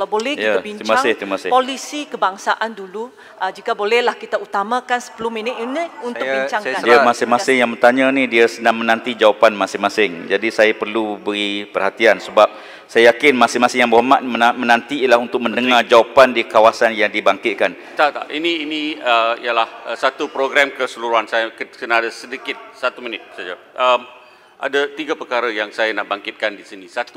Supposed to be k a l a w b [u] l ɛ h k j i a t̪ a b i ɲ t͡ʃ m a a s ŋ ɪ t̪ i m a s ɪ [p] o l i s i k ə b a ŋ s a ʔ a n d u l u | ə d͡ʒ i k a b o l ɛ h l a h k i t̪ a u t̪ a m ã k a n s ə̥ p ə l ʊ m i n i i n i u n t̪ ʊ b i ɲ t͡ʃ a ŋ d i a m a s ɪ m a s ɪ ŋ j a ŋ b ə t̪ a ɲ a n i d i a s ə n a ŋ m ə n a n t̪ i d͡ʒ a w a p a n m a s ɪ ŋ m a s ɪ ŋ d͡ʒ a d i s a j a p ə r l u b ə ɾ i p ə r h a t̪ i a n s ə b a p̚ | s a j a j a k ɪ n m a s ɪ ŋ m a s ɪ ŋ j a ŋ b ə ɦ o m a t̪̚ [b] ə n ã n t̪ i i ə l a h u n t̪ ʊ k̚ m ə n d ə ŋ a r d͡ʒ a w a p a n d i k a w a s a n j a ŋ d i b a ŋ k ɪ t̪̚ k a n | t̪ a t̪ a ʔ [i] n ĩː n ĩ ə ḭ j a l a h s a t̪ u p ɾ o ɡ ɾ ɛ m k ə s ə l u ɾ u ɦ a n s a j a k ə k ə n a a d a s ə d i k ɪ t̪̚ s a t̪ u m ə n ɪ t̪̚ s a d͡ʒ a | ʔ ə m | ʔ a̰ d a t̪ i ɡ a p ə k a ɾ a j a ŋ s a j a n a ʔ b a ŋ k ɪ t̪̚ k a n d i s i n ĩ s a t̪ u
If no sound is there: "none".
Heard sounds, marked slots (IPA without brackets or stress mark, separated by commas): o, p, m, i